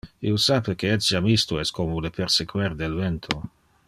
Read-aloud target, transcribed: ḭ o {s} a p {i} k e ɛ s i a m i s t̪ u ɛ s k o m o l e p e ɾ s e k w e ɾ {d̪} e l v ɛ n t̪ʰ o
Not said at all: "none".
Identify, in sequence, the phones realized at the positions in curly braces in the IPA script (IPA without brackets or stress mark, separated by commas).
s, e, d̪